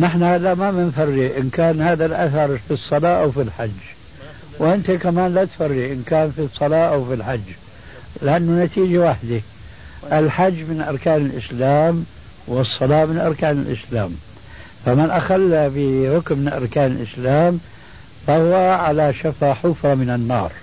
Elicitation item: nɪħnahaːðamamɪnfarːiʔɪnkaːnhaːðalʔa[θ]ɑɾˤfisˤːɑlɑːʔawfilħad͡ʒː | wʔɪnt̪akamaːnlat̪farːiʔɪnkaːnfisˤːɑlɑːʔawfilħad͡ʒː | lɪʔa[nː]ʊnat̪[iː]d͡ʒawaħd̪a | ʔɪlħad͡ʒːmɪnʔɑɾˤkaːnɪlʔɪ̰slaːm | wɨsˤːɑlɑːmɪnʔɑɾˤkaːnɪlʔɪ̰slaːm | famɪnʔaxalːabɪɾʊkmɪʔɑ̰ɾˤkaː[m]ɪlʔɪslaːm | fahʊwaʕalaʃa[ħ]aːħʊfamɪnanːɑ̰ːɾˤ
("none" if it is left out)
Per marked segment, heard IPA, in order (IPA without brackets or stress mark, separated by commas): θ, nː, iː, n, f